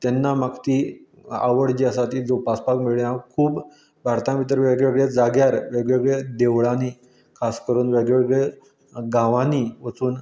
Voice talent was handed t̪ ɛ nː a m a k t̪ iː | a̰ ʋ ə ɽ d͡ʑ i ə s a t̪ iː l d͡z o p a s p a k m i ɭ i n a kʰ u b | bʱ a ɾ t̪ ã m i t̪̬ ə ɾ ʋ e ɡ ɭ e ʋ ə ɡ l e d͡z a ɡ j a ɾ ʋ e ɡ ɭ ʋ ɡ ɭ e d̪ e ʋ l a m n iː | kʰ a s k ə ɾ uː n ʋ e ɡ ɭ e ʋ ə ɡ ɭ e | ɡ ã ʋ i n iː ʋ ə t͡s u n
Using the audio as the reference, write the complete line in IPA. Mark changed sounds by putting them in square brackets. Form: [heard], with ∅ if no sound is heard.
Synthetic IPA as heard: t̪ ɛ nː a m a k t̪ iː | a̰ ʋ ə ɽ d͡ʑ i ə s a t̪ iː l d͡z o p a s p a k m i ɭ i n a kʰ [uː] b | bʱ a ɾ t̪ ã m i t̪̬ ə ɾ ʋ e ɡ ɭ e ʋ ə ɡ [ɭ] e d͡z a ɡ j a ɾ ʋ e ɡ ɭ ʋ ɡ ɭ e d̪ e ʋ [ɭ] a [∅] n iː | kʰ a s k ə ɾ uː n ʋ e ɡ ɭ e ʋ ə ɡ ɭ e | ɡ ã ʋ [a] n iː ʋ ə t͡s [uː] n